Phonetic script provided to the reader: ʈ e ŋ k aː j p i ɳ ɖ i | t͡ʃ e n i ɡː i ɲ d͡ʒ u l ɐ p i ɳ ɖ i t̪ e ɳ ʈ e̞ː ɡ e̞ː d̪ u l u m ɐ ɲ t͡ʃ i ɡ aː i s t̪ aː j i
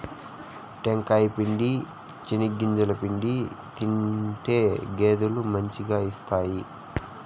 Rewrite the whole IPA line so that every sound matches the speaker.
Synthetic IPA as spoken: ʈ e ŋ k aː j p i ɳ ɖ i | t͡ʃ i n i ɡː i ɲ d͡ʒ u l ɐ p i ɳ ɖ i t̪ i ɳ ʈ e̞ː ɡ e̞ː d̪ u l u m ɐ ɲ t͡ʃ i ɡ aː i s t̪ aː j i